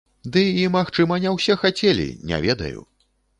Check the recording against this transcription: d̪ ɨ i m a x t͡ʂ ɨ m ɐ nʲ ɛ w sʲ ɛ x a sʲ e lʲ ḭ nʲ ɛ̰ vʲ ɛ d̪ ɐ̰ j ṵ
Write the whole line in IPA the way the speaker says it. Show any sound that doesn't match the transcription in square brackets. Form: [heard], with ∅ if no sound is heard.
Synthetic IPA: d̪ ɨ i m a x t͡ʂ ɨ m ɐ nʲ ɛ w sʲ ɛ x a [t͡sʲ] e lʲ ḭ nʲ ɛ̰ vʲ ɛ d̪ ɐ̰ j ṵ